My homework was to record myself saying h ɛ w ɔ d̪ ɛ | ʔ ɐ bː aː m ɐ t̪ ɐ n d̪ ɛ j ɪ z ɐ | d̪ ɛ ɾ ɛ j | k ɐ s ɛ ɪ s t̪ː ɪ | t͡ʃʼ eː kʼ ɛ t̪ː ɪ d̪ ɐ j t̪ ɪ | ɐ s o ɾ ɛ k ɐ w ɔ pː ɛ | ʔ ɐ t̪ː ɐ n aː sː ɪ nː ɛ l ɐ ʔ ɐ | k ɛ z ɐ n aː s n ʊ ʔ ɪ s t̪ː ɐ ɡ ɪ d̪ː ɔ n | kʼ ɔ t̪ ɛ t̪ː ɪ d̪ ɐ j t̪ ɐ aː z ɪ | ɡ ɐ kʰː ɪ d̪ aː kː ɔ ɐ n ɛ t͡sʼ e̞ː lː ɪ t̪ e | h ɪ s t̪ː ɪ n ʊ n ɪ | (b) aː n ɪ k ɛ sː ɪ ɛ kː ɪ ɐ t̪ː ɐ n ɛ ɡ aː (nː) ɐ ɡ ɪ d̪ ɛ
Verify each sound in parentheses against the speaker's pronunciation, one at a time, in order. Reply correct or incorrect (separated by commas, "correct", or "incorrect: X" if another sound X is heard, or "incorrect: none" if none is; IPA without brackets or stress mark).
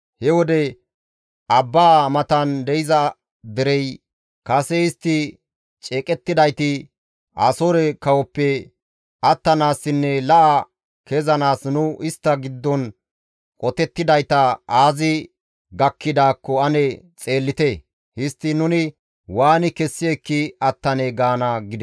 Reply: incorrect: w, incorrect: n